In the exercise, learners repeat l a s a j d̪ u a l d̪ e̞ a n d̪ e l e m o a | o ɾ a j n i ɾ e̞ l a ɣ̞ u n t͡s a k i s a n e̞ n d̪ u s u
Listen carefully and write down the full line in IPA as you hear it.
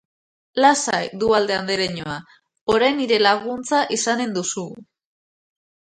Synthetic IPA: l a s a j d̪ u a l d̪ e̞ a n d̪ e ɾ e ɲ o a | o ɾ a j n i ɾ e̞ l a ɣ̞ u n t͡s a ʔ i s a n e̞ n d̪ u s u